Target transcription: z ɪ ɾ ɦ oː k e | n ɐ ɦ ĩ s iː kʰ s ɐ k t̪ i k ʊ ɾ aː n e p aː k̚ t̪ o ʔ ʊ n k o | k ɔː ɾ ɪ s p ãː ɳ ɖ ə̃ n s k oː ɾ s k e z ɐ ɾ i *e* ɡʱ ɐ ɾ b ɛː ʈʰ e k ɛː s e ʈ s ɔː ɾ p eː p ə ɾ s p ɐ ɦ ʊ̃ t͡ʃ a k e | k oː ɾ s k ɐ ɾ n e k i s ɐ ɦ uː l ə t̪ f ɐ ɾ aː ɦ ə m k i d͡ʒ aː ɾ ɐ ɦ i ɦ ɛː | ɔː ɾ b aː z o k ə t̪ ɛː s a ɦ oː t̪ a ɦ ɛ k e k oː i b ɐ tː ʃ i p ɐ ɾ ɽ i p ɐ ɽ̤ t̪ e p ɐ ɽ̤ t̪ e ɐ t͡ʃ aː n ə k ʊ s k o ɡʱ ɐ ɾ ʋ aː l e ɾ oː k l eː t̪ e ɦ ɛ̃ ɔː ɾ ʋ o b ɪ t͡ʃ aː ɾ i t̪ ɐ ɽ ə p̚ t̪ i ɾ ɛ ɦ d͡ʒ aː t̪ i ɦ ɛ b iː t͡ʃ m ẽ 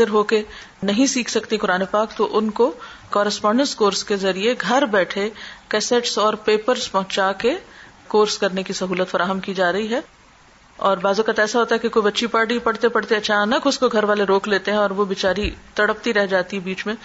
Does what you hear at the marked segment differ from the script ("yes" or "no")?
no